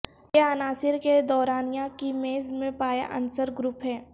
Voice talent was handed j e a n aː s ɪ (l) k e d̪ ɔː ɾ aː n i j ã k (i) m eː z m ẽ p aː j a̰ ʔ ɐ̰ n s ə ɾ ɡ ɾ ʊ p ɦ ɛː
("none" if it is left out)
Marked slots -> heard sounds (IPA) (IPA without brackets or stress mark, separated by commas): ɾ, i